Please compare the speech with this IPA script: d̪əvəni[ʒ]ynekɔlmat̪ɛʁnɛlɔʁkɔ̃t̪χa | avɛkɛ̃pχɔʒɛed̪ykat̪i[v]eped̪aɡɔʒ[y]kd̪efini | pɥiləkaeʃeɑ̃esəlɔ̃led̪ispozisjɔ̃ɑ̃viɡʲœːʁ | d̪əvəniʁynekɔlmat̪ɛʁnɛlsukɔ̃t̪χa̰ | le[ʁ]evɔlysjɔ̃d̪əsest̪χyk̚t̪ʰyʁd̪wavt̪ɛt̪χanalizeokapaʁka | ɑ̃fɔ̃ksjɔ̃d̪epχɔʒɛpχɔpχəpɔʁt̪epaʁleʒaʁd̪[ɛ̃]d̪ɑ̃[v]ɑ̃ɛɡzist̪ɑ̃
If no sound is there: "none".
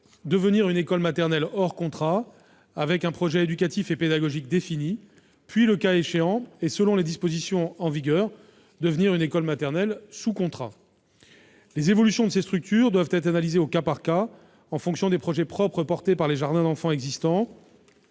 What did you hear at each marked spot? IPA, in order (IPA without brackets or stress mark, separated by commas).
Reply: ʁ, f, i, z, ɛ̃, f